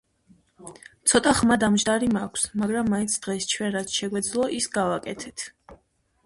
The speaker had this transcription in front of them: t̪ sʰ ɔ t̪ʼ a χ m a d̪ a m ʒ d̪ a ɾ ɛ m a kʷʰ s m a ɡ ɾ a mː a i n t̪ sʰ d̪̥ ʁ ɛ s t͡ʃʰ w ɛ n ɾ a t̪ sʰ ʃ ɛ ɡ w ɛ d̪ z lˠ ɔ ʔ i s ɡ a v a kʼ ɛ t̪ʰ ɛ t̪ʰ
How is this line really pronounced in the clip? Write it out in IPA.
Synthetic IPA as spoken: t̪ sʰ ɔ t̪ʼ a χ m a d̪ a m ʒ d̪ a ɾ i m a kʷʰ s m a ɡ ɾ a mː a i n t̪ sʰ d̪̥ ʁ ɛ s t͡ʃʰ w ɛ n ɾ a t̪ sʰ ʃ ɛ ɡ w ɛ d̪ z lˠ ɔ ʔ i s ɡ a v a kʼ ɛ t̪ʰ ɛ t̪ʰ

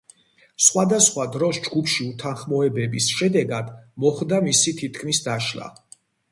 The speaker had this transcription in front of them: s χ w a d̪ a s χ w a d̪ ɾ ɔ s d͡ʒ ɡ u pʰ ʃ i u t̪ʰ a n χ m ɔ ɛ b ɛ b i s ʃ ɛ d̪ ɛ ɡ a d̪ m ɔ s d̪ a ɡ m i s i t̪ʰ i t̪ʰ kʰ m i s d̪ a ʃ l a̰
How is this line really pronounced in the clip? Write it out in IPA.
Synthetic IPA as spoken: s χ w a d̪ a s χ w a d̪ ɾ ɔ s d͡ʒ ɡ u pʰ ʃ i u t̪ʰ a n χ m ɔ ɛ b ɛ b i s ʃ ɛ d̪ ɛ ɡ a d̪ m ɔ χ d̪ a m i s i t̪ʰ i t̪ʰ kʰ m i s d̪ a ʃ l a̰

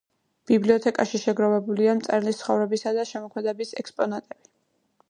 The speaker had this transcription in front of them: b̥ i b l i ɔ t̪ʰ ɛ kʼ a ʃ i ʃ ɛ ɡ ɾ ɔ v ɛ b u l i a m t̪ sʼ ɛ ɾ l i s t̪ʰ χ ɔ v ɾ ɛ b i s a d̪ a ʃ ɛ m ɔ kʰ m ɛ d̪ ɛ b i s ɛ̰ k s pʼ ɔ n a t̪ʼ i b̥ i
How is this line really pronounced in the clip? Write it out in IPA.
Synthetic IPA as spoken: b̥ i b l i ɔ t̪ʰ ɛ kʼ a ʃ i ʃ ɛ ɡ ɾ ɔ v ɛ b u l i a m t̪ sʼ ɛ ɾ l i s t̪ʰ χ ɔ v ɾ ɛ b i s a d̪ a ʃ ɛ m ɔ kʰ m ɛ d̪ ɛ b i s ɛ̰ k s pʼ ɔ n a t̪ʼ ɛ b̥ i

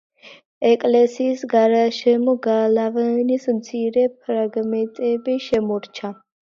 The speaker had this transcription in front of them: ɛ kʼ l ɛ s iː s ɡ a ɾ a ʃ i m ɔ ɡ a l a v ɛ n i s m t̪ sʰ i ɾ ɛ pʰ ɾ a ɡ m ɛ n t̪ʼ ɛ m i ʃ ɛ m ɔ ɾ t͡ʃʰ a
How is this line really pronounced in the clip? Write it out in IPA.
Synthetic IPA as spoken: ɛ kʼ l ɛ s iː s ɡ a ɾ a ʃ ɛ m ɔ ɡ a l a v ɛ n i s m t̪ sʰ i ɾ ɛ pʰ ɾ a ɡ m ɛ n t̪ʼ ɛ b i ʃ ɛ m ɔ ɾ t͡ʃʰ a

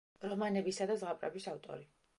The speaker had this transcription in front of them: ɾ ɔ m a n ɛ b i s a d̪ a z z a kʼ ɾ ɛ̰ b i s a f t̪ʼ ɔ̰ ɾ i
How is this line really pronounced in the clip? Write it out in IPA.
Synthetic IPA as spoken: ɾ ɔ m a n ɛ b i s a d̪ a z ʁ a pʼ ɾ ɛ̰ b i s a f t̪ʼ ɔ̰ ɾ i

